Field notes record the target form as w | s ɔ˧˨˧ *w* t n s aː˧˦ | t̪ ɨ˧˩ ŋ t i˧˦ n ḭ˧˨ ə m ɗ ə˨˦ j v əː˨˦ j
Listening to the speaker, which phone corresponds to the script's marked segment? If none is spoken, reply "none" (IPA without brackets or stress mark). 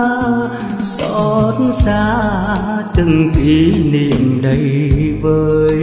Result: none